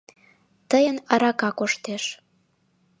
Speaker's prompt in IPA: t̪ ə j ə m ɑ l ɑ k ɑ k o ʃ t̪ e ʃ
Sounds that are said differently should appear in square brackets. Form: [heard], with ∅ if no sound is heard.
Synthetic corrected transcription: t̪ ə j ə [n] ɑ [ɾ] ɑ k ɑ k o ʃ t̪ e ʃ